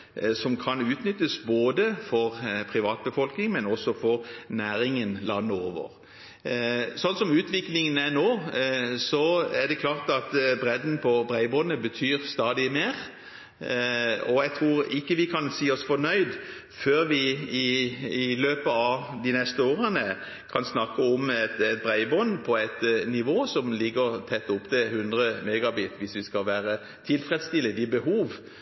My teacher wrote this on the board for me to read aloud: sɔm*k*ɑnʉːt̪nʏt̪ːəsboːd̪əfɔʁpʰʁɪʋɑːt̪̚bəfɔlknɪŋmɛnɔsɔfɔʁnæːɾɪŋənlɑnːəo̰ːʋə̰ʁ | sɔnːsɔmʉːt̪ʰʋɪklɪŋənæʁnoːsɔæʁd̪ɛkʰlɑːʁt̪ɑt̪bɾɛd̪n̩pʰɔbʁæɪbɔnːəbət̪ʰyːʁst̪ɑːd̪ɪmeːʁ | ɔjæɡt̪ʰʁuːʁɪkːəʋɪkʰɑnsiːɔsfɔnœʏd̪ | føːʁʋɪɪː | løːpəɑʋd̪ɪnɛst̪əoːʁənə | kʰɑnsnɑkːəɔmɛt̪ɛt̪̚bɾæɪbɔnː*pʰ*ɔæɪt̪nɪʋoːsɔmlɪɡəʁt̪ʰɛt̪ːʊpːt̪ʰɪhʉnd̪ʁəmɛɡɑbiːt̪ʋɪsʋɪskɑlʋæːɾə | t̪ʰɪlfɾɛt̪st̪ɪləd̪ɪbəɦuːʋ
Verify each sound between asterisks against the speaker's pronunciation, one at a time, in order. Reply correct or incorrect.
incorrect: kʰ, correct

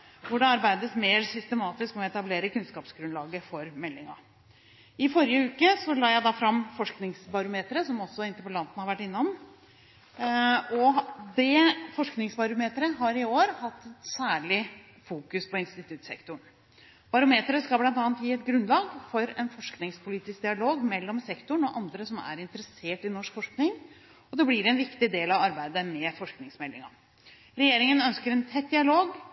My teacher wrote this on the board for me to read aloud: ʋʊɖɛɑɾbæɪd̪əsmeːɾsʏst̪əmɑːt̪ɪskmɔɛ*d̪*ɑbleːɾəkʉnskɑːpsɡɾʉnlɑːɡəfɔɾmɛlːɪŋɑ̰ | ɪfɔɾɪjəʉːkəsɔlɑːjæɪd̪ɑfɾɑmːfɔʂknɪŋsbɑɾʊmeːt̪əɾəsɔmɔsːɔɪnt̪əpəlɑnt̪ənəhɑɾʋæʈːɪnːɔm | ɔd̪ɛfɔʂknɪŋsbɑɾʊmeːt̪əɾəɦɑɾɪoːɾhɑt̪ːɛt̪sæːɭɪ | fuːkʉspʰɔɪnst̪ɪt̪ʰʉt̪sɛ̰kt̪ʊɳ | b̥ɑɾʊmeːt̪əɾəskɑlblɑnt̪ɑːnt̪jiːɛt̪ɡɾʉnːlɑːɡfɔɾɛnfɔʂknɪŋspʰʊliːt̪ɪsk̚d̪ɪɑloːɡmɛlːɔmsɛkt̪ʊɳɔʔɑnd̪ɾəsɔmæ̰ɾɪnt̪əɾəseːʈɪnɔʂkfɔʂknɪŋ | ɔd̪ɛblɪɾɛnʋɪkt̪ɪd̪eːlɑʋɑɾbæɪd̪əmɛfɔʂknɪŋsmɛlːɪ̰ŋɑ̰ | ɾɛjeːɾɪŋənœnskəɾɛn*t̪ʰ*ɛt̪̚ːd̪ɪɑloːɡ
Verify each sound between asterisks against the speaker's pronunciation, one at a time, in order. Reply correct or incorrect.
incorrect: t̪, correct

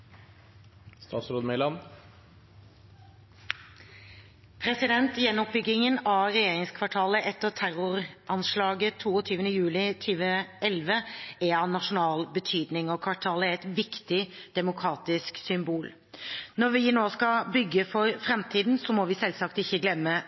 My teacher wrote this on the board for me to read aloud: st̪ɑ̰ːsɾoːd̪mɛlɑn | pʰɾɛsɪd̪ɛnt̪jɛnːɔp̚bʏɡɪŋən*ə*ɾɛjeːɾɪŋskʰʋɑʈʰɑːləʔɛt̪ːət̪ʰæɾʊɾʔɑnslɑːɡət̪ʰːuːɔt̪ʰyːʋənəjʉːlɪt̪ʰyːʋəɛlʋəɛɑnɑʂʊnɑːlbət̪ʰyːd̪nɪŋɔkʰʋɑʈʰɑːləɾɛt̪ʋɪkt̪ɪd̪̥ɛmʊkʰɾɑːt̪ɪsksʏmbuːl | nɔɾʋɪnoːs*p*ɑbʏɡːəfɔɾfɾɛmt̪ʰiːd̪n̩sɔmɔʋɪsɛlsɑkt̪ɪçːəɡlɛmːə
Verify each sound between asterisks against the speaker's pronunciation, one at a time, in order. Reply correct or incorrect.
incorrect: ɑ, incorrect: k

